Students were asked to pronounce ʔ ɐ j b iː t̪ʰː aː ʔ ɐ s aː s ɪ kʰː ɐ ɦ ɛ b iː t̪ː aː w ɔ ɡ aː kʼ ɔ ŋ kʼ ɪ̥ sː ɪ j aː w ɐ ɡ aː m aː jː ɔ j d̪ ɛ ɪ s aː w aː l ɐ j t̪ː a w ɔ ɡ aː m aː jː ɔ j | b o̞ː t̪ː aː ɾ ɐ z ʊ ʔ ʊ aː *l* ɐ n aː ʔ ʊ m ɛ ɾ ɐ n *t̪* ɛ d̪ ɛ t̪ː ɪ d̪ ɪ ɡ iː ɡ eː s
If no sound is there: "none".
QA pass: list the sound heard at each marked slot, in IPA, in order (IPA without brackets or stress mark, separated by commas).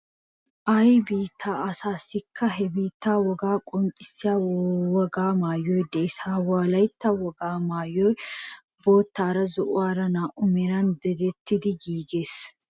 ɾ, d̪